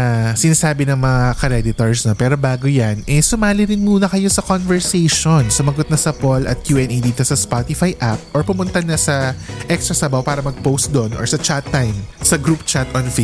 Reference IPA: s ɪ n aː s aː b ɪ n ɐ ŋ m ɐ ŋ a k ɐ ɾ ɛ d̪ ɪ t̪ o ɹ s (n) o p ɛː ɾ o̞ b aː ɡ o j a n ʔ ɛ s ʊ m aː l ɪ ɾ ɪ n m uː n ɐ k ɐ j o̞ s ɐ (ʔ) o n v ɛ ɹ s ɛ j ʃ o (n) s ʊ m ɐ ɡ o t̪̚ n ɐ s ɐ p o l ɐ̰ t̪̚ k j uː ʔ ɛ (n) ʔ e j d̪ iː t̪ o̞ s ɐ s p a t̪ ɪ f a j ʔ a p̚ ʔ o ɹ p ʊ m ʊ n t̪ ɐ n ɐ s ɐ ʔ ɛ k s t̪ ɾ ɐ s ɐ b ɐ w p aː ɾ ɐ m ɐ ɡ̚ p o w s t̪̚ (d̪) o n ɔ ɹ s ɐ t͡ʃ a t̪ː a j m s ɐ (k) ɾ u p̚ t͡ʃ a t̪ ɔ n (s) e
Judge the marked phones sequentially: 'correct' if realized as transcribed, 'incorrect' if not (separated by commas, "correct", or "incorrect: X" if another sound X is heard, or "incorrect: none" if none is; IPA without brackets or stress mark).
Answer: correct, incorrect: k, correct, correct, correct, incorrect: ɡ, incorrect: f